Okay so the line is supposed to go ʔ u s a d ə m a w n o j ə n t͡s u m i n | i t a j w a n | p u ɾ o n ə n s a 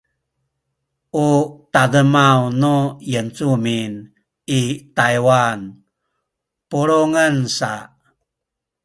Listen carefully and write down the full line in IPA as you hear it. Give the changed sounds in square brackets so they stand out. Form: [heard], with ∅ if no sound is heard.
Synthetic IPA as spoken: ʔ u [t] a d ə m a w n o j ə n t͡s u m i n | i t a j w a n | p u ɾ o [ŋ] ə n s a